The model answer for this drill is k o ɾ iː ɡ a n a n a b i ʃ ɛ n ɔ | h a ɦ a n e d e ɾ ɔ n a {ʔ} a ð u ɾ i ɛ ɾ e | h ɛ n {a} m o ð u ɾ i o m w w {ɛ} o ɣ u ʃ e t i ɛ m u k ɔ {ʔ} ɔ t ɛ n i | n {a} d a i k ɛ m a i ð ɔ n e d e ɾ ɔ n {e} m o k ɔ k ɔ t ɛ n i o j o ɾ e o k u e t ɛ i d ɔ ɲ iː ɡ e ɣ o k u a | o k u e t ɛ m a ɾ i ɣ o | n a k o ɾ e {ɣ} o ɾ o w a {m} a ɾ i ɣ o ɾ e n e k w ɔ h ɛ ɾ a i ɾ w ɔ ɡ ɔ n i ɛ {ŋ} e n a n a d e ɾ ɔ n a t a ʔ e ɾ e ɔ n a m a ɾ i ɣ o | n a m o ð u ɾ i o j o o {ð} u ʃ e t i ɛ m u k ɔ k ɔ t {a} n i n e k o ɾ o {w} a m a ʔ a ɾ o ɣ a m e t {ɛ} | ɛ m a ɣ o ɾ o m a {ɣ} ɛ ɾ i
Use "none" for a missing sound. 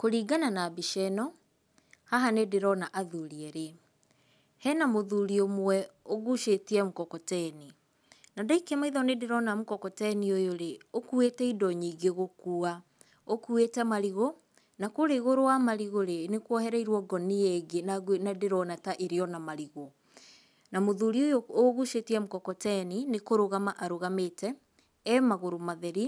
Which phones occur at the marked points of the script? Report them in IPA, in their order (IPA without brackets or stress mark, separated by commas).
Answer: ʔ, a, ɛ, k, a, a, ɣ, m, ɡ, ɣ, ɛ, ɣ, ɛ, ð